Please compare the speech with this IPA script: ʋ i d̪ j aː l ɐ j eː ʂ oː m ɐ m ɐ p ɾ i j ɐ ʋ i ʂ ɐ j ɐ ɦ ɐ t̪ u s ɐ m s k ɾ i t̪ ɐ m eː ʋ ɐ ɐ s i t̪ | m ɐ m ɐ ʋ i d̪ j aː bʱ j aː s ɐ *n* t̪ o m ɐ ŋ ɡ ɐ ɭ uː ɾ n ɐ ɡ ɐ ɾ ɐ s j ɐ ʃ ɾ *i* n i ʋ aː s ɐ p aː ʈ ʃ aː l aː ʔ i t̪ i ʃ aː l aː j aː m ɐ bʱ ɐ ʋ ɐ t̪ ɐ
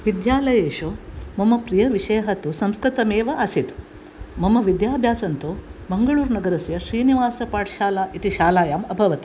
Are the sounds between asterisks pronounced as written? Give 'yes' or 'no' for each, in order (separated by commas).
yes, no